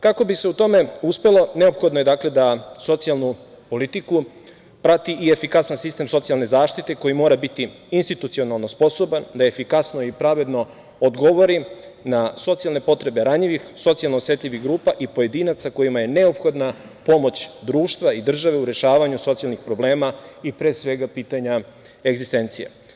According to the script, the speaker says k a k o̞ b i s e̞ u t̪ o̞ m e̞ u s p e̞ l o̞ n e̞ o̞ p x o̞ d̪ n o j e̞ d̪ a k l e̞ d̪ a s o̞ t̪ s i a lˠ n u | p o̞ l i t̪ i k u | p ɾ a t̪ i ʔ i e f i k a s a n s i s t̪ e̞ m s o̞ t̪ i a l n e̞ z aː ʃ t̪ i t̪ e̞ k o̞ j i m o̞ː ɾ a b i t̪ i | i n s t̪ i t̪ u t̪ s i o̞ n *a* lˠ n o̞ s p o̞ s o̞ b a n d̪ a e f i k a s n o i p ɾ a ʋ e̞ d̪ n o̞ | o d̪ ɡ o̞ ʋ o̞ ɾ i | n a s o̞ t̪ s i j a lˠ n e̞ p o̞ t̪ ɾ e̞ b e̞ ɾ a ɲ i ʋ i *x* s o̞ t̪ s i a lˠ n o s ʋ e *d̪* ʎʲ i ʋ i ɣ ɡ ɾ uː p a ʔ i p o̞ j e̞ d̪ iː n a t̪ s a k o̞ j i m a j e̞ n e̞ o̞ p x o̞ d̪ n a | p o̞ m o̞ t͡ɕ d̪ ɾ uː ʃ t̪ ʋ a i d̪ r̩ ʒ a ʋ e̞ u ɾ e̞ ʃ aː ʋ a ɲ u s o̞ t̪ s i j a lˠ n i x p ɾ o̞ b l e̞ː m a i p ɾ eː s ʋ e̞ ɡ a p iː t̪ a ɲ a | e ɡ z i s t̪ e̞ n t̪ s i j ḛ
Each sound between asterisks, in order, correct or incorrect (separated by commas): correct, correct, incorrect